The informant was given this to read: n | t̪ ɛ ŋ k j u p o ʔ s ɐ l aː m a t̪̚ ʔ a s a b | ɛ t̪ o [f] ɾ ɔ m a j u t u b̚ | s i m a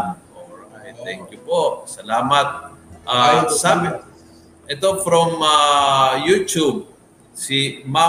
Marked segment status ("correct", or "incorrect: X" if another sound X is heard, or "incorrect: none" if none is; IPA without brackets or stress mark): correct